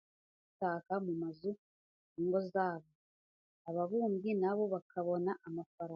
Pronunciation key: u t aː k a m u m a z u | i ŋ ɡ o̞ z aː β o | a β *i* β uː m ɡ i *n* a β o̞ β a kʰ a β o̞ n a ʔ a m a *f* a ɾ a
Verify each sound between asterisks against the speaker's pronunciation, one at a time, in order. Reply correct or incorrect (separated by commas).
incorrect, correct, correct